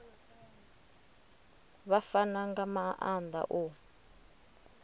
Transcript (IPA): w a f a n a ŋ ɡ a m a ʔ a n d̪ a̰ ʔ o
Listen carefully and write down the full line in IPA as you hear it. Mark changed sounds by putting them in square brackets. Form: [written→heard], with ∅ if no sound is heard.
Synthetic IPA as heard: [w→β] a f a n a ŋ ɡ a m a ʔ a n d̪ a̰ ʔ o